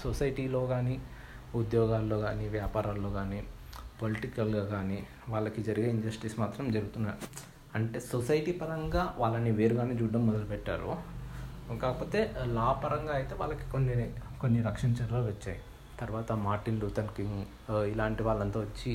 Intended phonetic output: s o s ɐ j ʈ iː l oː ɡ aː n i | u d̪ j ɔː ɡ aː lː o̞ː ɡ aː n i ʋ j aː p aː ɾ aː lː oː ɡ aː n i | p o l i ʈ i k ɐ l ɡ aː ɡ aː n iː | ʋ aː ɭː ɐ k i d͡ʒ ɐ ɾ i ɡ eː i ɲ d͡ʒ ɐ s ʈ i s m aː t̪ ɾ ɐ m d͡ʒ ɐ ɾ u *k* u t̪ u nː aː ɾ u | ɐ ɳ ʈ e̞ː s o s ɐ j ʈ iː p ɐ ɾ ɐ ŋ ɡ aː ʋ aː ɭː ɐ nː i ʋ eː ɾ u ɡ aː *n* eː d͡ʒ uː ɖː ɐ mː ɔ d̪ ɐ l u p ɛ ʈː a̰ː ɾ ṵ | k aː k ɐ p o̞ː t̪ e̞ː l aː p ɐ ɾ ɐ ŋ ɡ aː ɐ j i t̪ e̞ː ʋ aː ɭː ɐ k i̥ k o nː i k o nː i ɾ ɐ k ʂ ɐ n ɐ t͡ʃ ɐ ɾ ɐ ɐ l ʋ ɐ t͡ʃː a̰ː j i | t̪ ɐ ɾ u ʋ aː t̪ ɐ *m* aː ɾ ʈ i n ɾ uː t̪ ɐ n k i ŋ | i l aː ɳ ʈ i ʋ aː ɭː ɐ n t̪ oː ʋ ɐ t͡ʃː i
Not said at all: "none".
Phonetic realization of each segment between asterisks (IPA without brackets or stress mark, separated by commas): ɡ, n, m